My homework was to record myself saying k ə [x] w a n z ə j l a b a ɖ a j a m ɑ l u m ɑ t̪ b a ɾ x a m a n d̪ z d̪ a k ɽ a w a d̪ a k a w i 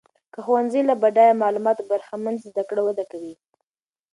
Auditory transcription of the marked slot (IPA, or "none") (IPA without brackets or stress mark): x